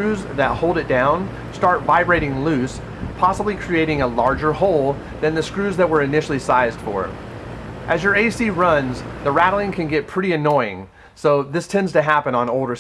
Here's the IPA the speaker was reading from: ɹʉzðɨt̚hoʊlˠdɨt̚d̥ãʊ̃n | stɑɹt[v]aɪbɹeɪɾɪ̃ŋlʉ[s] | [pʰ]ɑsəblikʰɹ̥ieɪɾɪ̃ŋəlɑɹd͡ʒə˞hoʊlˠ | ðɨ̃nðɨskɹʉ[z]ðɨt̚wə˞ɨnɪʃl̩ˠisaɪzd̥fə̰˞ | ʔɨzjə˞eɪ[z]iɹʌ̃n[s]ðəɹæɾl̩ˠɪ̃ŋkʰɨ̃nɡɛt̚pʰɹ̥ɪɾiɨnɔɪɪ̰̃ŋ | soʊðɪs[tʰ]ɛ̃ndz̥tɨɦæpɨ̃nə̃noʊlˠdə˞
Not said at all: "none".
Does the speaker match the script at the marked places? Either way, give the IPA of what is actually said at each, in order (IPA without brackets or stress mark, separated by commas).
v, s, pʰ, z, s, z, tʰ